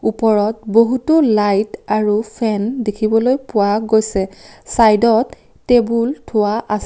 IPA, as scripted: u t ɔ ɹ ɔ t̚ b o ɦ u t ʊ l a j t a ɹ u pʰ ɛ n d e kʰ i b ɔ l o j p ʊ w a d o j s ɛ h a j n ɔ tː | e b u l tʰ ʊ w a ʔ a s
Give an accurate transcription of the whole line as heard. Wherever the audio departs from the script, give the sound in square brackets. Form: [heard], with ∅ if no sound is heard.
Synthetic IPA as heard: u [p] ɔ ɹ ɔ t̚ b o ɦ u t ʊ l a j t a ɹ u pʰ ɛ n d e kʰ i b ɔ l o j p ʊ w a [ɡ] o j s ɛ [s] a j [d] ɔ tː | e b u l tʰ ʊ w a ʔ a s